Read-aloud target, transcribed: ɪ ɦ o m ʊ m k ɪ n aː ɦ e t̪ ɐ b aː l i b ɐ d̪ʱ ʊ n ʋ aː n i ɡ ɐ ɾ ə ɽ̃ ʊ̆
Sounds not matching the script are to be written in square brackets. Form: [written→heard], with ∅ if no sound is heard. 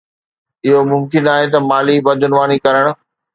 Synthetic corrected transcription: ɪ ɦ o m ʊ m k ɪ n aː ɦ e t̪ ɐ [b→m] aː l i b ɐ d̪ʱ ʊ n ʋ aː n i [ɡ→k] ɐ ɾ ə ɽ̃ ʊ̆